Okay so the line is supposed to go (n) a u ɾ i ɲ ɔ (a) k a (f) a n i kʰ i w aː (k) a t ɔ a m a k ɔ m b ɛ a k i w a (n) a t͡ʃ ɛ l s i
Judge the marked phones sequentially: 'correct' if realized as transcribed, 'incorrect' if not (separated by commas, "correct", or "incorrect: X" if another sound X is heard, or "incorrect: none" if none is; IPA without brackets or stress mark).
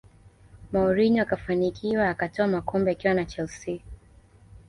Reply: incorrect: m, correct, correct, correct, correct